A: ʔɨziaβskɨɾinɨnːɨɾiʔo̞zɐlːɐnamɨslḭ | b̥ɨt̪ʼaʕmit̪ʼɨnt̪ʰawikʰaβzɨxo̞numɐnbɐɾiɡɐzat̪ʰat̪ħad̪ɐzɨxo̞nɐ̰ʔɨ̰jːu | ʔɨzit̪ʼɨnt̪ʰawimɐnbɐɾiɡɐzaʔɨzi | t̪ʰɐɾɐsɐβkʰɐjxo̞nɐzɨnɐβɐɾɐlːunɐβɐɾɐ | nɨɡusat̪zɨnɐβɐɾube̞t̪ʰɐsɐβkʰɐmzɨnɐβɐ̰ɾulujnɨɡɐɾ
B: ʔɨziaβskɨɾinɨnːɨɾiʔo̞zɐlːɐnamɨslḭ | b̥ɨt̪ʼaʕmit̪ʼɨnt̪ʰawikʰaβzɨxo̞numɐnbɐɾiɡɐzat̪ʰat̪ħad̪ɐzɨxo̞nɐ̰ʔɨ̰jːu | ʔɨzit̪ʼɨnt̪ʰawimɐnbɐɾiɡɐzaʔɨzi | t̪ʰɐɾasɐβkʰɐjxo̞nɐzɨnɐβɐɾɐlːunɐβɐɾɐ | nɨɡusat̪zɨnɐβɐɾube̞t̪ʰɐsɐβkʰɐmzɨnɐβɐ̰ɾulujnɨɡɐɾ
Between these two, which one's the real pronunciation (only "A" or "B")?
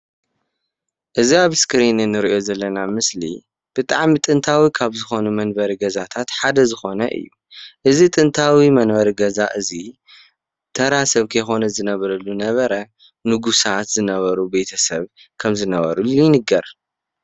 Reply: B